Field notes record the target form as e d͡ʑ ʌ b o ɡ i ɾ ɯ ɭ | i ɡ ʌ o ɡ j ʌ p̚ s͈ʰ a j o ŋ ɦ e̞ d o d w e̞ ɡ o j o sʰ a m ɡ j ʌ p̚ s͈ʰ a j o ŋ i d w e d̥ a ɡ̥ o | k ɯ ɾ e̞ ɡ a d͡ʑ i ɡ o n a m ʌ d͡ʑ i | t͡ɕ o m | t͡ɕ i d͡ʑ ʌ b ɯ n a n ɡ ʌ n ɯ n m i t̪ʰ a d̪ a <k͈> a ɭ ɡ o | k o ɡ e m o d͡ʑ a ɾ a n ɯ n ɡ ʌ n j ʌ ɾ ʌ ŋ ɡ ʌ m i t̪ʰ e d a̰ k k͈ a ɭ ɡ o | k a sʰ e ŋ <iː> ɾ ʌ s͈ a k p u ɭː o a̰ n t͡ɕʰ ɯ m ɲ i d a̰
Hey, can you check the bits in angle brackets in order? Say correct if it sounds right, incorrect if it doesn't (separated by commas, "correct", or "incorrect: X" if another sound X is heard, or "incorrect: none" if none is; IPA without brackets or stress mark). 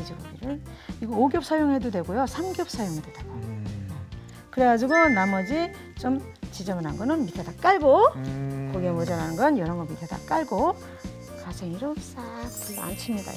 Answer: correct, incorrect: i